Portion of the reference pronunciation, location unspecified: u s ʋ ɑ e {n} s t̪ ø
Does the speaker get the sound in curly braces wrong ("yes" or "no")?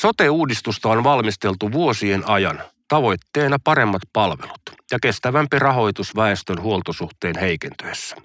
yes